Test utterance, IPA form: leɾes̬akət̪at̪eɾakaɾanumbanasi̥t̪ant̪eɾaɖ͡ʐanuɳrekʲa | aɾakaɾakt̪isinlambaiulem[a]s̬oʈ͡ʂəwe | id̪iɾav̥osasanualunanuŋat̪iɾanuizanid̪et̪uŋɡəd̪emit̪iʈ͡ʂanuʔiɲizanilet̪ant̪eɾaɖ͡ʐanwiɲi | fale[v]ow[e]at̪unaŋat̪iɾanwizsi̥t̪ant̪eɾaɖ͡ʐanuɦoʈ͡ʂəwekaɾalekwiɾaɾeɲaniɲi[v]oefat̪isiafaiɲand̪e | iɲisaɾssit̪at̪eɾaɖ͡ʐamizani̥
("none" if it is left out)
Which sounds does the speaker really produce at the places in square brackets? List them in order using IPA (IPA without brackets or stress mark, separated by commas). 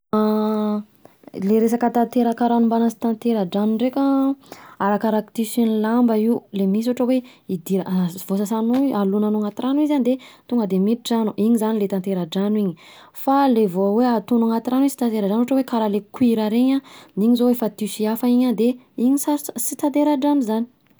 i, v, e, z